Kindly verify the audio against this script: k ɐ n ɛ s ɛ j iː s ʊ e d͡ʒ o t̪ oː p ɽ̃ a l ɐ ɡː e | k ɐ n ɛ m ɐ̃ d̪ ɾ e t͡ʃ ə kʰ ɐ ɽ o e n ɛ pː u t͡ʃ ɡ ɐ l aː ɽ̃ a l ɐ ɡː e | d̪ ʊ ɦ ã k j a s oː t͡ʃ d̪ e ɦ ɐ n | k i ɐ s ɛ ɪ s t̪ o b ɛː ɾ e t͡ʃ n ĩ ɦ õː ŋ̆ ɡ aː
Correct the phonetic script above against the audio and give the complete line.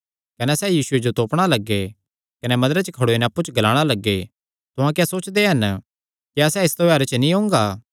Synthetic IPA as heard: k ɐ n ɛ s ɛ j iː s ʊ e d͡ʒ o t̪ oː p ɽ̃ a l ɐ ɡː e | k ɐ n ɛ m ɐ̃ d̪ ɾ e t͡ʃ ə kʰ ɐ ɽ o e n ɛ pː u t͡ʃ ɡ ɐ l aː ɽ̃ a l ɐ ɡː e | t̪ ʊ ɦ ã k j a s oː t͡ʃ d̪ e ɦ ɐ n | k i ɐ s ɛ ɪ s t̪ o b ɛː ɾ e t͡ʃ n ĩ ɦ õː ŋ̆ ɡ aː

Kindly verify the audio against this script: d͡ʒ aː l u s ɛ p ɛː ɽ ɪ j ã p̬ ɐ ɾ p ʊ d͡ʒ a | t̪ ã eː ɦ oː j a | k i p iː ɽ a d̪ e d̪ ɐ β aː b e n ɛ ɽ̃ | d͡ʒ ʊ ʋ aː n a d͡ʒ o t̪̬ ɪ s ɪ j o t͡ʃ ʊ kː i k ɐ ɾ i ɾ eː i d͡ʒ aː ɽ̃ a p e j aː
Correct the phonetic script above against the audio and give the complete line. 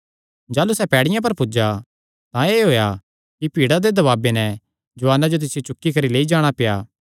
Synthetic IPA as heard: d͡ʒ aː l u s ɛ p ɛː ɽ ɪ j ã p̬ ɐ ɾ p ʊ d͡ʒ a | t̪ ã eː ɦ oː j a | k i p iː ɽ a d̪ e d̪ ɐ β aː b e n ɛ | d͡ʒ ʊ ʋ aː n a d͡ʒ o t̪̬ ɪ s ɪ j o t͡ʃ ʊ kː i k ɐ ɾ i l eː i d͡ʒ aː ɽ̃ a p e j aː

